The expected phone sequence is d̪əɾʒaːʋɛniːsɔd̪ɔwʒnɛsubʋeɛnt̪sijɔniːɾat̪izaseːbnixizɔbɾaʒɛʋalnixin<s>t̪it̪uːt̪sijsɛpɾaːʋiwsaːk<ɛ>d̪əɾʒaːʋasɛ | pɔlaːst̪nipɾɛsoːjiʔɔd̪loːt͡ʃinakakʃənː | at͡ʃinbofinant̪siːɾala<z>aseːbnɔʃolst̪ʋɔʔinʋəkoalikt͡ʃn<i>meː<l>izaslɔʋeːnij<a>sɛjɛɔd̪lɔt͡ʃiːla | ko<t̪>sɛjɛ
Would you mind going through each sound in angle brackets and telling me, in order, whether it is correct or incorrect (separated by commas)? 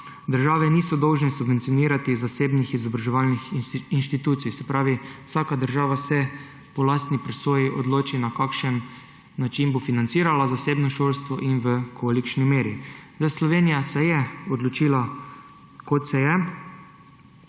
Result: incorrect, incorrect, correct, correct, incorrect, correct, correct